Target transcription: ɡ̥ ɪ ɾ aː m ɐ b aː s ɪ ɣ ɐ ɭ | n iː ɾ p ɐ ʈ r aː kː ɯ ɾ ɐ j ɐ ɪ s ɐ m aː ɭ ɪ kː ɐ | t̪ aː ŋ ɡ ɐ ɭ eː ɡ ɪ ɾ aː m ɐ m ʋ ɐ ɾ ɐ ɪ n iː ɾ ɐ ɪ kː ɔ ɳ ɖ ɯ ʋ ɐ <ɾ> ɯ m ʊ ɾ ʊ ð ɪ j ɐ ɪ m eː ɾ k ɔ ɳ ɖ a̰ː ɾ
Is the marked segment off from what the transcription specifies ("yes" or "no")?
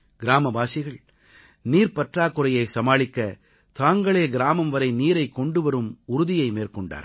no